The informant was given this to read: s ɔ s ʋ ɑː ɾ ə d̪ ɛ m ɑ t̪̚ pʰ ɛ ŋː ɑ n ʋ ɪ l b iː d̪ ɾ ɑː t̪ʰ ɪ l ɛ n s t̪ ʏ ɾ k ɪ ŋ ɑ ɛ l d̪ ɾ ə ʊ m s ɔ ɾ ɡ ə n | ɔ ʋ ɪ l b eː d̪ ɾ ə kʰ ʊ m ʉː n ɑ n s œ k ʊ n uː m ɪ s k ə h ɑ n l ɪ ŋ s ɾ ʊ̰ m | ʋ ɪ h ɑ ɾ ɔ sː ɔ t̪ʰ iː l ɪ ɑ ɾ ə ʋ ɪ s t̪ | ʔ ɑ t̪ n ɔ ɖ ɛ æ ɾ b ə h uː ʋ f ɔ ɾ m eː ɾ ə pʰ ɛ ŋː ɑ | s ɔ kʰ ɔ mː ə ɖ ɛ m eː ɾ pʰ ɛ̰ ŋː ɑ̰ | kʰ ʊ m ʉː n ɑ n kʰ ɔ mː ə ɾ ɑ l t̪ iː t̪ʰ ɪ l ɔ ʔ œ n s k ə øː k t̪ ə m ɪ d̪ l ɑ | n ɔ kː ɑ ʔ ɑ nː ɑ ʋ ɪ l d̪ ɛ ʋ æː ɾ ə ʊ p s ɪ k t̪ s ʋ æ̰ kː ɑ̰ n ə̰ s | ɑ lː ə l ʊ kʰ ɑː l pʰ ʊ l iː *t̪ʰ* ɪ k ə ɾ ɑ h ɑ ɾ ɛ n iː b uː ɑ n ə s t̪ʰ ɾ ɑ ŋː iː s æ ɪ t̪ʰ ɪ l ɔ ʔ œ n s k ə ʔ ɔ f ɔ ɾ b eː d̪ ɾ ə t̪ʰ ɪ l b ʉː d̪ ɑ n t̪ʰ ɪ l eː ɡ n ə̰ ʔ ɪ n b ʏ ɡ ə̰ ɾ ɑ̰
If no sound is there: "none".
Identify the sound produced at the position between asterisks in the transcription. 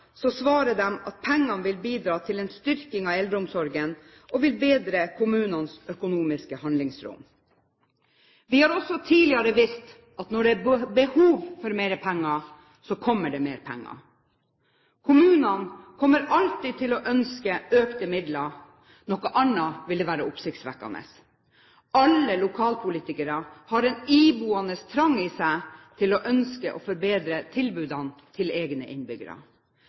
t̪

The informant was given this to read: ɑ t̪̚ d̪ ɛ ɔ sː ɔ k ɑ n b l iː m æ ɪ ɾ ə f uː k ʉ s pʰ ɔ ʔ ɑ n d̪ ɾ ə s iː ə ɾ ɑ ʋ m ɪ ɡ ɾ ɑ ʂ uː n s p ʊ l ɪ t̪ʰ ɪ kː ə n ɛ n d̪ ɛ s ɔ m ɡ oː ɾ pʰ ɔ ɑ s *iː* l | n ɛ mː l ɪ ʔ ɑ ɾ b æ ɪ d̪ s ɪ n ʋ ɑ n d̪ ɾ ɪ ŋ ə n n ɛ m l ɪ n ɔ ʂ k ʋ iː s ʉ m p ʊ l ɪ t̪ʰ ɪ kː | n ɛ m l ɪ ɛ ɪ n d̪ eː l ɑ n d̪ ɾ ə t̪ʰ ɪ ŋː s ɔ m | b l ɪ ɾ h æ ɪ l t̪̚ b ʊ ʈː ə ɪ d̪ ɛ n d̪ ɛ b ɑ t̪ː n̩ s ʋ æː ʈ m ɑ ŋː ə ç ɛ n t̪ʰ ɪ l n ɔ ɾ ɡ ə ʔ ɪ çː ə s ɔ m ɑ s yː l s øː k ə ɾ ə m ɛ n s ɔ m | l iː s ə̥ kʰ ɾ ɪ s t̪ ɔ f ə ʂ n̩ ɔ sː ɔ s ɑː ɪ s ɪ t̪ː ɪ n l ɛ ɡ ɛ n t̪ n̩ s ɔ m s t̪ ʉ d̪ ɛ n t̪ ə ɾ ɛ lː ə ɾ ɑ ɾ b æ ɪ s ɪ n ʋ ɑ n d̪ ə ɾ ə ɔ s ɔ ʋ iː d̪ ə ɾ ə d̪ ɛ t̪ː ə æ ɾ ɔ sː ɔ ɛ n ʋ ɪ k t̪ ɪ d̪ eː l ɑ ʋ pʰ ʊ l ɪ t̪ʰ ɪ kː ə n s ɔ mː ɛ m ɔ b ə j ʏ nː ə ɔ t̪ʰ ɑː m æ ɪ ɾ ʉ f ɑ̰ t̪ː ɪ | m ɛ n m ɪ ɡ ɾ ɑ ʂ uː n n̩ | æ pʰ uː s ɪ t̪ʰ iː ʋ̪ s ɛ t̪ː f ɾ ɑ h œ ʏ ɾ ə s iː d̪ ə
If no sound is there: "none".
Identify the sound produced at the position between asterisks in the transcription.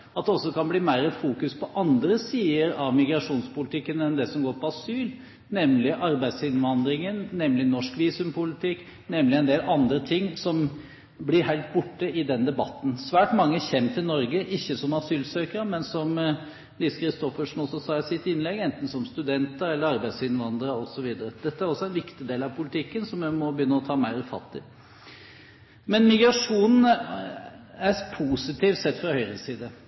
yː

